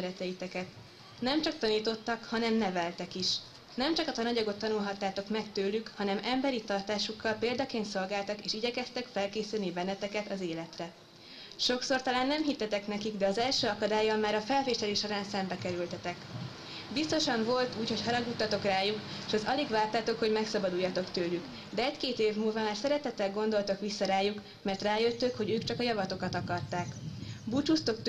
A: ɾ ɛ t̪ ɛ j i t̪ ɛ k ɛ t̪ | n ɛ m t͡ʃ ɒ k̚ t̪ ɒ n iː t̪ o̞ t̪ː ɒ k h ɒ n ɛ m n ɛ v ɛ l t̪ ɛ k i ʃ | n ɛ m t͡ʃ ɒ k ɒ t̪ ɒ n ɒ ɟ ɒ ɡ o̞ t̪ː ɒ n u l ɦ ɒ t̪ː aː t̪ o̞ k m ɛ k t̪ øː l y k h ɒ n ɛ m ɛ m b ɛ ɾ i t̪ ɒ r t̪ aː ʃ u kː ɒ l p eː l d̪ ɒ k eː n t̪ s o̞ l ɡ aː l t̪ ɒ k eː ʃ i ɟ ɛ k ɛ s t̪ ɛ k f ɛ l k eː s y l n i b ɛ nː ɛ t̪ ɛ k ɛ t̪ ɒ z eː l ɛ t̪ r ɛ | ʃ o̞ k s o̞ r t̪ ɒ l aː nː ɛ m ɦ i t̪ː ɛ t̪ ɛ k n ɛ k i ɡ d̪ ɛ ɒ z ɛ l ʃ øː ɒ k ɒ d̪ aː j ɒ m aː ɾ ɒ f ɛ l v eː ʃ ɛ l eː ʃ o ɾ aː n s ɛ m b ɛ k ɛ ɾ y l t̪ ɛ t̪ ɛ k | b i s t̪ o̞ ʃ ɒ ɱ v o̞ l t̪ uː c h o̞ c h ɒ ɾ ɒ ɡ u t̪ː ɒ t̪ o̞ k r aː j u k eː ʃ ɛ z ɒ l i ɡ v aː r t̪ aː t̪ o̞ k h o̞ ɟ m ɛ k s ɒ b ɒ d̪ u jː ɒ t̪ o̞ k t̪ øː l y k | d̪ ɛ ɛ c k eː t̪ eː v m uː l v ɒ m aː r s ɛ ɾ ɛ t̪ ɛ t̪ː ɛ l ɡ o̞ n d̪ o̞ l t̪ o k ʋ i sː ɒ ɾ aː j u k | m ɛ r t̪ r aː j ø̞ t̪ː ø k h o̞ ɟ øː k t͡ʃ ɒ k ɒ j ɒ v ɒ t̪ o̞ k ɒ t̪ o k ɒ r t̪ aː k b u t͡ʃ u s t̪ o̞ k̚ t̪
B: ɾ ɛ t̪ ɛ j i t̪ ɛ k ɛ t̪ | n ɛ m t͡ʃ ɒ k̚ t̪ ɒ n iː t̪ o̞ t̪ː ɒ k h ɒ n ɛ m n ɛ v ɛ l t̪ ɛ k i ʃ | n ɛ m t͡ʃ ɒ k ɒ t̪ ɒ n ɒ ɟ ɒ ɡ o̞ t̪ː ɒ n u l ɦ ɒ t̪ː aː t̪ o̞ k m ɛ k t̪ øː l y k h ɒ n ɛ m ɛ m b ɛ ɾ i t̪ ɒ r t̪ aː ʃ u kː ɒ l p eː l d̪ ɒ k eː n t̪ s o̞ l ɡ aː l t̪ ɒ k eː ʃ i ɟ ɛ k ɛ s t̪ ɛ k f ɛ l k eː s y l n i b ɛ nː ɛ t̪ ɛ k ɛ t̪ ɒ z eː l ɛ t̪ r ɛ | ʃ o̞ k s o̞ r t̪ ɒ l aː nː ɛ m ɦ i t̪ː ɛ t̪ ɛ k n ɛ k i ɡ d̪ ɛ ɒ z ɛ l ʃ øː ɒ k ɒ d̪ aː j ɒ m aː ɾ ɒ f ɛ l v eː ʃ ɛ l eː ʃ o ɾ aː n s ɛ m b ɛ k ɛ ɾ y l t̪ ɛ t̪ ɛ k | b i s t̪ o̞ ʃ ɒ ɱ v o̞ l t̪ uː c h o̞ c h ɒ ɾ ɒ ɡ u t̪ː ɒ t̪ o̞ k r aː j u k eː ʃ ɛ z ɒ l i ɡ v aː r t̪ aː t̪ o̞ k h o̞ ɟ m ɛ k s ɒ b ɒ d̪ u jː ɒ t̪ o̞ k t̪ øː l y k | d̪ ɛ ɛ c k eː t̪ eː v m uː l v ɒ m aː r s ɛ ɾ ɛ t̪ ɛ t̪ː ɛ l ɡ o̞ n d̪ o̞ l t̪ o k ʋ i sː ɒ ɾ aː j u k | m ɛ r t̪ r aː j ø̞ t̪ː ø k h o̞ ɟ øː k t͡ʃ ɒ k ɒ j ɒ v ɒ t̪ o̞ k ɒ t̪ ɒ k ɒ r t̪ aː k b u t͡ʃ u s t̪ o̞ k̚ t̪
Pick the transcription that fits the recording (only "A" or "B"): B